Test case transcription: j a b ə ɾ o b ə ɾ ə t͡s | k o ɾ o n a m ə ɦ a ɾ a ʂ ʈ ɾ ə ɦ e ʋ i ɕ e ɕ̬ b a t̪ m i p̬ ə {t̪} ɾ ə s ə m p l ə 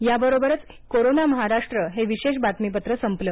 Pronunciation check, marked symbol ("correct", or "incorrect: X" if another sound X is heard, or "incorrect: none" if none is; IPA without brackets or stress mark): correct